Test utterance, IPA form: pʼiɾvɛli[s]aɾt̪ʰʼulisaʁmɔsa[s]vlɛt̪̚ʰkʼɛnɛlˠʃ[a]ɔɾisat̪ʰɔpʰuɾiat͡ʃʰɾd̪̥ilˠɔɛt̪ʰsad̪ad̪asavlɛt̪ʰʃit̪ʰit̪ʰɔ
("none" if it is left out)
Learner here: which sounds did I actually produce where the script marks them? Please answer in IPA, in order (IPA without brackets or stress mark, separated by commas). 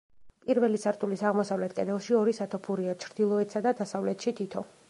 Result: s, none, i